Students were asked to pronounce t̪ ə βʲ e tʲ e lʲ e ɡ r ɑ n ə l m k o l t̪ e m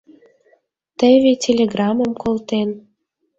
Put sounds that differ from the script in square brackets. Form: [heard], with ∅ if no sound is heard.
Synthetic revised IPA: t̪ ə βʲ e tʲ e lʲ e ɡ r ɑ [m] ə [∅] m k o l t̪ e [n]